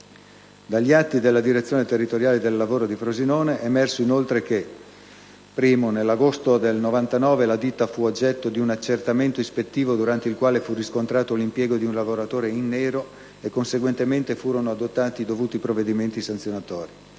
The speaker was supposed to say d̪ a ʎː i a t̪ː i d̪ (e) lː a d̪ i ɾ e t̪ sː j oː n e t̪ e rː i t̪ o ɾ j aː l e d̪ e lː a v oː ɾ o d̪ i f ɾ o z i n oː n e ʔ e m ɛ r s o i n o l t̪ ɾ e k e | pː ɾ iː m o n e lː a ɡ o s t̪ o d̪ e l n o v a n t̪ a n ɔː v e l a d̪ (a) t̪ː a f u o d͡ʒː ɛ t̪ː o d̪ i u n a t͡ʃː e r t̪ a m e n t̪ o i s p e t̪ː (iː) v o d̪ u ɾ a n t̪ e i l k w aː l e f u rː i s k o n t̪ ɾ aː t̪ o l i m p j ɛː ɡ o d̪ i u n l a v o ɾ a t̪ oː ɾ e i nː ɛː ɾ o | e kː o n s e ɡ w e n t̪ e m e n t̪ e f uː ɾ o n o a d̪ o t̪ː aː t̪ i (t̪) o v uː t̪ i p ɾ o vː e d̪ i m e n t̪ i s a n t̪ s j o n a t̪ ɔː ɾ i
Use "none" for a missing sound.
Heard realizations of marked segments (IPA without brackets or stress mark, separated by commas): e, i, iː, d̪